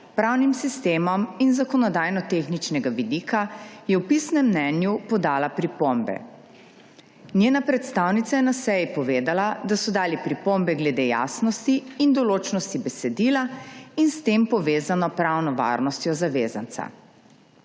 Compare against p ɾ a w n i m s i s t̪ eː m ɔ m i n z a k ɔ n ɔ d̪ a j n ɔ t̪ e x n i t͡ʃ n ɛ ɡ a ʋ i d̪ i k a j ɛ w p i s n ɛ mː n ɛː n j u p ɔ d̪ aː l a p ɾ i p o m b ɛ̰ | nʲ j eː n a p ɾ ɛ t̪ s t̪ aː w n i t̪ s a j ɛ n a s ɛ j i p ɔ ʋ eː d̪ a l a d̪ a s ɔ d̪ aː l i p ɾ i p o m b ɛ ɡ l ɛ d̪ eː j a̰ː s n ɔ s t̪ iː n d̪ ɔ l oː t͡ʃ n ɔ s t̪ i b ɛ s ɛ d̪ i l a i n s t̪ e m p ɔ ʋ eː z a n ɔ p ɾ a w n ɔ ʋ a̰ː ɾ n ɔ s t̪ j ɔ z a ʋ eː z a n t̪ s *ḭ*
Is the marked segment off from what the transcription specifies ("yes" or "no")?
yes